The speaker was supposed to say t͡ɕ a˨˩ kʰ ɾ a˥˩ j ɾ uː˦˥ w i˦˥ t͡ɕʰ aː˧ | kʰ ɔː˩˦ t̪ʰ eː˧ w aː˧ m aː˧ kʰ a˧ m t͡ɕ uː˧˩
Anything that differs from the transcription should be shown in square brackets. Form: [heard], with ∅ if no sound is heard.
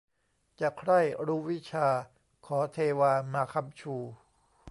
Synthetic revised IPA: t͡ɕ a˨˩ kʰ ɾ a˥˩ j ɾ uː˦˥ w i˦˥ t͡ɕʰ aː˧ | kʰ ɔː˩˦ t̪ʰ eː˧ w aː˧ m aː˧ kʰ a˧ m [t͡ɕʰ] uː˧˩